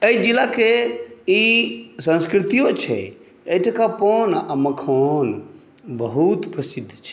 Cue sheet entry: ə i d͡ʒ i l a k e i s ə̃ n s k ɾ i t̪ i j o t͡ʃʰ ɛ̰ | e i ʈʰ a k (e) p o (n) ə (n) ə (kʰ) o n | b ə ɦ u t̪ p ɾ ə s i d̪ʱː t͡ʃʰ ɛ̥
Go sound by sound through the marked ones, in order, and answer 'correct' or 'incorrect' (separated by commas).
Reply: incorrect, correct, incorrect, correct